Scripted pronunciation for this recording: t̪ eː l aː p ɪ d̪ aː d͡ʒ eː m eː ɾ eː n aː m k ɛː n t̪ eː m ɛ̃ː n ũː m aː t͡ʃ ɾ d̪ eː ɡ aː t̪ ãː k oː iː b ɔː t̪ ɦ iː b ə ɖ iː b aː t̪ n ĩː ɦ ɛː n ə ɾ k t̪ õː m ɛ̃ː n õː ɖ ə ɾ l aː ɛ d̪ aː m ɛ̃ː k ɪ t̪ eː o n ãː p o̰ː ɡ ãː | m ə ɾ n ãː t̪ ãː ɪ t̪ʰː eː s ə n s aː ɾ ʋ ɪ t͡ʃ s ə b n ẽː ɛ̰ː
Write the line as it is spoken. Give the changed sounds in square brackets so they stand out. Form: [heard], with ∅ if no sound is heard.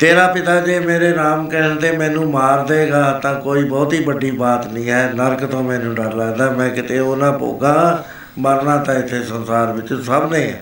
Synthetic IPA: t̪ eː [ɾ] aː p ɪ [t̪] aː d͡ʒ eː m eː ɾ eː n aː m k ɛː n t̪ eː m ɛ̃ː n ũː m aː [∅] ɾ d̪ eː ɡ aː t̪ ãː k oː iː b ɔː t̪ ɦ iː b ə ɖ iː b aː t̪ n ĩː ɦ ɛː n ə ɾ k t̪ õː m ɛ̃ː n [ũː] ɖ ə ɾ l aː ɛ d̪ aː m ɛ̃ː k ɪ t̪ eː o n ãː p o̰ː ɡ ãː | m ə ɾ n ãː t̪ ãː ɪ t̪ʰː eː s ə n s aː ɾ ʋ ɪ t͡ʃ s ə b n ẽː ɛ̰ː